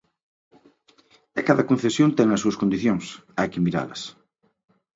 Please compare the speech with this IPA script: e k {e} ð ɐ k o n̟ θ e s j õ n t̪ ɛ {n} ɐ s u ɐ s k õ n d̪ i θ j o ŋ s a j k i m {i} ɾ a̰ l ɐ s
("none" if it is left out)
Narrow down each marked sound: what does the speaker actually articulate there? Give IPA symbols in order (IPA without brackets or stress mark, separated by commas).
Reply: a, ŋ, i